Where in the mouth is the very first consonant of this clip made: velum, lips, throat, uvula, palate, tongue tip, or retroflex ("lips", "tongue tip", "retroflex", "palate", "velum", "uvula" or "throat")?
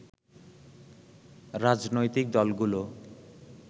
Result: tongue tip